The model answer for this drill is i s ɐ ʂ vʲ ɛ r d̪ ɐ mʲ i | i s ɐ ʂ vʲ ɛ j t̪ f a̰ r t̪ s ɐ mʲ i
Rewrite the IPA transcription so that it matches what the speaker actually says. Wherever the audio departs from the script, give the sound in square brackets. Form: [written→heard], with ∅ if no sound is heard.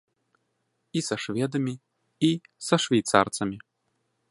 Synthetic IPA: i s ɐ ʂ vʲ ɛ [r→∅] d̪ ɐ mʲ i | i s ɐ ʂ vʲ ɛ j t̪ [f→s] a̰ r t̪ s ɐ mʲ i